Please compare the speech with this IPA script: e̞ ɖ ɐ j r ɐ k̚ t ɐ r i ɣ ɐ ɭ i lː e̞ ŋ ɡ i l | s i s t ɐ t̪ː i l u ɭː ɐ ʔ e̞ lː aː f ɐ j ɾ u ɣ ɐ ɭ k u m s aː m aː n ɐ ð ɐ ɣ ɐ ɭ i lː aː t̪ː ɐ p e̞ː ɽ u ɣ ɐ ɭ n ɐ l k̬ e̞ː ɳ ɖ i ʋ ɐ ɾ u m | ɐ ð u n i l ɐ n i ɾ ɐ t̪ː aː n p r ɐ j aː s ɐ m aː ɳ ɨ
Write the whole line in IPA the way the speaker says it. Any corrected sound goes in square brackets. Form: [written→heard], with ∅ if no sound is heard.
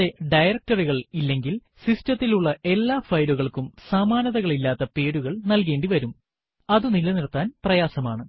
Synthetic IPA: e̞ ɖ ɐ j r ɐ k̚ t ɐ r i ɣ ɐ ɭ i lː e̞ ŋ ɡ i l | s i s t ɐ t̪ː i l u ɭː ɐ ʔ e̞ lː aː f ɐ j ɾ u ɣ ɐ ɭ k u m s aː m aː n ɐ ð ɐ ɣ ɐ ɭ i lː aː t̪ː ɐ p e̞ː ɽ u ɣ ɐ ɭ n ɐ l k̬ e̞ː ɳ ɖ i ʋ ɐ ɾ u m | ɐ ð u n i l ɐ n i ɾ ɐ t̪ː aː n p r ɐ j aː s ɐ m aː ɳ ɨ